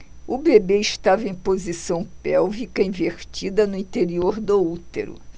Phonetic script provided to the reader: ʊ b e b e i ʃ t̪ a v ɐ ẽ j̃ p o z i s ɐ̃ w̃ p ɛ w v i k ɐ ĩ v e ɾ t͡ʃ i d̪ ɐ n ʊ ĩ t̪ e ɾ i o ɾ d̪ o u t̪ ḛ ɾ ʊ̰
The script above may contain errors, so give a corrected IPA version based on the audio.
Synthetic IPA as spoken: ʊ b e b e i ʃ t̪ a v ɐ ẽ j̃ p o z i s ɐ̃ w̃ p ɛ w v i k ɐ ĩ v e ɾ t͡ʃ i d̪ ɐ n ʊ ĩ t̪ e ɾ i o ɾ d̪ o u t̪ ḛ ɾ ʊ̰